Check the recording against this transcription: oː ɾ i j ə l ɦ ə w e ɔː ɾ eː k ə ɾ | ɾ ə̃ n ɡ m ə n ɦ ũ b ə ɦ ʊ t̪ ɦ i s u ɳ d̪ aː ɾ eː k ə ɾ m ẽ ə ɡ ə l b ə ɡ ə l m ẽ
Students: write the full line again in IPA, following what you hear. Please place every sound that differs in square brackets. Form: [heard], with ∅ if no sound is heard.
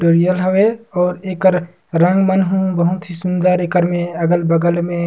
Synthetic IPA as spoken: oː ɾ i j ə l ɦ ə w e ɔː ɾ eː k ə ɾ | ɾ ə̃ [ŋ] ɡ m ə n ɦ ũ b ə ɦ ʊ t̪ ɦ i s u [n] d̪ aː ɾ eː k ə ɾ m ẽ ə ɡ ə l b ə ɡ ə l m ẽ

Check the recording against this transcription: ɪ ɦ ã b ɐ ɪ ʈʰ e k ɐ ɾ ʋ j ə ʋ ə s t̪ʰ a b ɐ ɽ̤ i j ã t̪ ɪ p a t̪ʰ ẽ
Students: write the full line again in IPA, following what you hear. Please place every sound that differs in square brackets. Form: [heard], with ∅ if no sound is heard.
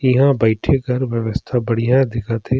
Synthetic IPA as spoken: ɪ ɦ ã b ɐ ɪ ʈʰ e k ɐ ɾ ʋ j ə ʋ ə s t̪ʰ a b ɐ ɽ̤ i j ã [d̪] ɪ [k] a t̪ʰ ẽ

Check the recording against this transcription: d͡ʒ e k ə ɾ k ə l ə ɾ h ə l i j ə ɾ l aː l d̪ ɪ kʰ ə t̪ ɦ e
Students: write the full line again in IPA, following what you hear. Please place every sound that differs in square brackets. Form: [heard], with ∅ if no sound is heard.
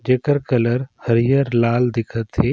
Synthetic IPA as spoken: d͡ʒ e k ə ɾ k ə l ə ɾ h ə [ɾ] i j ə ɾ l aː l d̪ ɪ kʰ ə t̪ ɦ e

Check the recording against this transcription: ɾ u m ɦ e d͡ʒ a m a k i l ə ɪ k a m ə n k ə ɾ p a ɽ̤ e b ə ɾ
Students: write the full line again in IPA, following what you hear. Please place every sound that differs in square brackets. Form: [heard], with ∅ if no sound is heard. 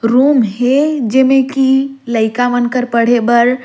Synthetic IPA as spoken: ɾ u m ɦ e d͡ʒ [e] m [e] k i l ə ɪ k a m ə n k ə ɾ p [ə] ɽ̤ e b ə ɾ

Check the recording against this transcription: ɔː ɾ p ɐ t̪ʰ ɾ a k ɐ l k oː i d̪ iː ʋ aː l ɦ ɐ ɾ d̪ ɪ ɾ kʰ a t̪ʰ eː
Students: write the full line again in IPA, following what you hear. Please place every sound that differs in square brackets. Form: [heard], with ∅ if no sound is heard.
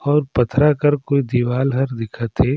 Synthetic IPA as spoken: ɔː ɾ p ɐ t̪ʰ ɾ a k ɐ [ɾ] k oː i d̪ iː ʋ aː l ɦ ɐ ɾ d̪ ɪ [∅] kʰ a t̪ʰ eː

